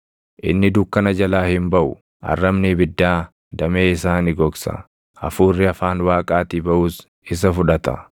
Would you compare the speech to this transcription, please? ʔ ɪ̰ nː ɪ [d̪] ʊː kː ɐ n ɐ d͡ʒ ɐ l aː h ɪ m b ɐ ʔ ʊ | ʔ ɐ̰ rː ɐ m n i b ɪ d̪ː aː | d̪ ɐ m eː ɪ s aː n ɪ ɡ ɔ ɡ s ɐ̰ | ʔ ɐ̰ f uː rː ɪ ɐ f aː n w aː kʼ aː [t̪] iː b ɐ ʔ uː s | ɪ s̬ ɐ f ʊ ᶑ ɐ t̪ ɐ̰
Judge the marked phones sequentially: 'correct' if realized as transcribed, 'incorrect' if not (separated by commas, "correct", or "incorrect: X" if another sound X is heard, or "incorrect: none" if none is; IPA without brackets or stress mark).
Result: correct, correct